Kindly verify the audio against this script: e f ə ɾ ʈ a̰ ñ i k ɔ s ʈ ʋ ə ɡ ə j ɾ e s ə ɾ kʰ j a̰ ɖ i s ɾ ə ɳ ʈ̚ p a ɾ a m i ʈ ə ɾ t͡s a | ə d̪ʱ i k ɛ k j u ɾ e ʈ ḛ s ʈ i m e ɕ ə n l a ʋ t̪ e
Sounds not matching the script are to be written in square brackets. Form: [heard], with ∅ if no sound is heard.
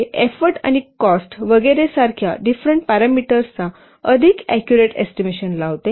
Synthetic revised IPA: e f ə ɾ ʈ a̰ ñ i k ɔ s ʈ ʋ ə ɡ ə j ɾ e s [a] ɾ kʰ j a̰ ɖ i [f] ɾ ə ɳ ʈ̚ p a ɾ a m i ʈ ə ɾ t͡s a | ə d̪ʱ i k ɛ k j u ɾ e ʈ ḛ s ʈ i m e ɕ ə n l a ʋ t̪ e